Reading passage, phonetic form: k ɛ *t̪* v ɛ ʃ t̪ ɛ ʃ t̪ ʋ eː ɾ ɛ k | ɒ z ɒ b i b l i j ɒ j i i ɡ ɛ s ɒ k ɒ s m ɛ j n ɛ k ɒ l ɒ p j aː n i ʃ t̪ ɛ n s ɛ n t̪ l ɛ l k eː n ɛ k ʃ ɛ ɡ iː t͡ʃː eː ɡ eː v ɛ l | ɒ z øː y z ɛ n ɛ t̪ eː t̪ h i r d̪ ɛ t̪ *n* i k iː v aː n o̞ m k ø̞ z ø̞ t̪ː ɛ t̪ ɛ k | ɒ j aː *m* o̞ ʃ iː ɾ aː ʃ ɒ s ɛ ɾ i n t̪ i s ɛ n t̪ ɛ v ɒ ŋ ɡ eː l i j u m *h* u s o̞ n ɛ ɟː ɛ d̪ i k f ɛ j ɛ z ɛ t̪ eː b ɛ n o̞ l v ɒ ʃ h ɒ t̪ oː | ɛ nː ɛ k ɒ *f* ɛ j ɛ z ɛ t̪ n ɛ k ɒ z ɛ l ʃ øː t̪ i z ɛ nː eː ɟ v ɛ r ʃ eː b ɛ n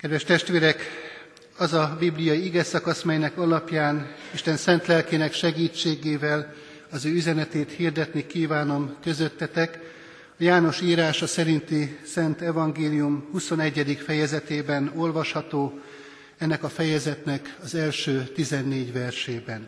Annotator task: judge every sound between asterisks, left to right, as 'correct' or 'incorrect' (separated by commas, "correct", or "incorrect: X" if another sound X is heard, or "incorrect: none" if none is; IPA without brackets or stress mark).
incorrect: d̪, correct, incorrect: n, correct, correct